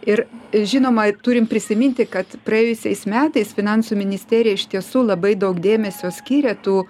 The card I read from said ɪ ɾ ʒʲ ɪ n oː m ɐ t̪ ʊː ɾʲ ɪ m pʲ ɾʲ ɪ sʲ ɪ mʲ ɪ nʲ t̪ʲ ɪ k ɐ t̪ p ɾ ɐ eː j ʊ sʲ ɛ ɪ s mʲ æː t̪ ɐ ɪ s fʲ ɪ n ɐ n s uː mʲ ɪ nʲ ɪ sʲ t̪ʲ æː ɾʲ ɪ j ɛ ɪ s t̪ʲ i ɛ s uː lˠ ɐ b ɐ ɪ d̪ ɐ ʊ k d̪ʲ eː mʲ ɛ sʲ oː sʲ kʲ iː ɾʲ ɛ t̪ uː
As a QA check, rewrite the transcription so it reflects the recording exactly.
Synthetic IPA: ɪ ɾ ʒʲ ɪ n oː m ɐ t̪ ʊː ɾʲ ɪ m pʲ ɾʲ ɪ sʲ ɪ mʲ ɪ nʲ t̪ʲ ɪ k ɐ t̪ p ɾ ɐ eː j ʊ sʲ ɛ ɪ s mʲ æː t̪ ɐ ɪ s fʲ ɪ n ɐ n s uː mʲ ɪ nʲ ɪ sʲ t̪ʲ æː ɾʲ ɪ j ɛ ɪ ʃ t̪ʲ i ɛ s uː lˠ ɐ b ɐ ɪ d̪ ɐ ʊ k d̪ʲ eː mʲ ɛ sʲ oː sʲ kʲ iː ɾʲ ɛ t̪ uː